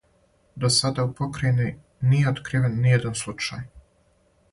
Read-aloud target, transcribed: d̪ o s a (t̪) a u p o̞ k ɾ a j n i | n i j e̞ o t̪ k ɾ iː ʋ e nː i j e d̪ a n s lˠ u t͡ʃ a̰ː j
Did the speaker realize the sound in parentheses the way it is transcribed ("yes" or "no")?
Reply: no